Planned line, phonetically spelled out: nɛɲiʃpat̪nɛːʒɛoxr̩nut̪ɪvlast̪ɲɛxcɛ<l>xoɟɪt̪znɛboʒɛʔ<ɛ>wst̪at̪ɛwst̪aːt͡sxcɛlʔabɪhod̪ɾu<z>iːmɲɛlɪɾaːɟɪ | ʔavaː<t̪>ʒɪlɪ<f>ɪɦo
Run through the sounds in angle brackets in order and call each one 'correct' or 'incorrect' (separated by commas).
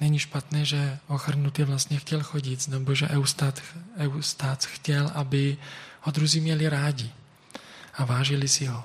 correct, correct, correct, incorrect, incorrect